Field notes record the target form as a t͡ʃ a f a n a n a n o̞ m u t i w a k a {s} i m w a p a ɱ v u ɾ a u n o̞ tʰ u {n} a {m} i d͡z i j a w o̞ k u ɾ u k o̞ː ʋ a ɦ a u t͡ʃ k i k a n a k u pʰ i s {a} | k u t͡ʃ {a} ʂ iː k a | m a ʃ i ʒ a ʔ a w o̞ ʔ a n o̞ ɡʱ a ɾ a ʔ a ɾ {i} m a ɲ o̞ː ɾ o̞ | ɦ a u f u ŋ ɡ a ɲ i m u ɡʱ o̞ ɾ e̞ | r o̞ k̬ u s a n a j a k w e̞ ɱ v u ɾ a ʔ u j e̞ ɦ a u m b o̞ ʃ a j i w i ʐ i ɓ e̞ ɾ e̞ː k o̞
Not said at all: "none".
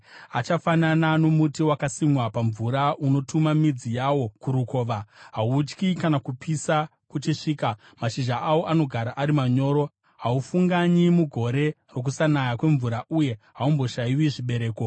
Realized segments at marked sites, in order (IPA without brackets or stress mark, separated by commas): s, m, m, a, i, i